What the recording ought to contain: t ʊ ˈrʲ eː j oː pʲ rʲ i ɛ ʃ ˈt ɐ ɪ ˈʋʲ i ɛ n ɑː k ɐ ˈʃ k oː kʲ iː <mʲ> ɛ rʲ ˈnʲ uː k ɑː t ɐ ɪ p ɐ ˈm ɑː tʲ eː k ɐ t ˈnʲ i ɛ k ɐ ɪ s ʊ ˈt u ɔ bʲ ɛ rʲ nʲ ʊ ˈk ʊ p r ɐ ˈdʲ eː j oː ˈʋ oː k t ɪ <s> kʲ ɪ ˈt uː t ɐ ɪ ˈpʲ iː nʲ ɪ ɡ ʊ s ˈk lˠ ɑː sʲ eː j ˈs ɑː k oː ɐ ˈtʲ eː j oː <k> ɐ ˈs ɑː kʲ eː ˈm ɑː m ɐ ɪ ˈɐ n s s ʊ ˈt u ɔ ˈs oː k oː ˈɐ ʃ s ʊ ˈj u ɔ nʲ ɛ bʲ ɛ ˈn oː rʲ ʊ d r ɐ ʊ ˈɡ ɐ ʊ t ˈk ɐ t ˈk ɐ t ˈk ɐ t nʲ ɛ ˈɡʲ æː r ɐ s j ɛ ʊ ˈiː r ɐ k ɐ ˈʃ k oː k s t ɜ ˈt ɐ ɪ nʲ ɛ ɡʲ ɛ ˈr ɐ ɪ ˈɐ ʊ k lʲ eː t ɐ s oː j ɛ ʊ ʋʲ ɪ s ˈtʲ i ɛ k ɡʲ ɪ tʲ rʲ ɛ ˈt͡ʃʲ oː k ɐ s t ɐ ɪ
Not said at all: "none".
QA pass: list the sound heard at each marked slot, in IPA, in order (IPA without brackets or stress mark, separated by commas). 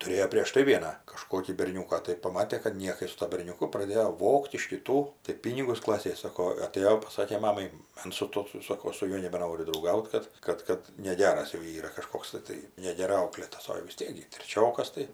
bʲ, ʃ, p